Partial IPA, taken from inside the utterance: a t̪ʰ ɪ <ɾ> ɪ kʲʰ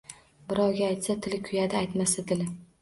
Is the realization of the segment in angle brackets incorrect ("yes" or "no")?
yes